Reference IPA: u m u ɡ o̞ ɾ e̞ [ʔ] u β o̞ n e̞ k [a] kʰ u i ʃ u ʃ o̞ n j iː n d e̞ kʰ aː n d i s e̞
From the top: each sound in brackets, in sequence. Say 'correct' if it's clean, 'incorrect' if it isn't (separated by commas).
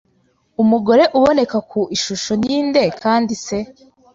correct, correct